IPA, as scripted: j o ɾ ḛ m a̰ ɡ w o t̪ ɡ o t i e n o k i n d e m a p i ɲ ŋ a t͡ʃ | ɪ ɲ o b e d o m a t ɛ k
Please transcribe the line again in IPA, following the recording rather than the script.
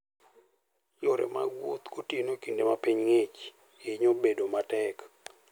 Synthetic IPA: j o ɾ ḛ m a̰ ɡ w o t̪ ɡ o t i e n o k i n d e m a p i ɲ ŋ e t͡ʃ | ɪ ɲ o b e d o m a t ɛ k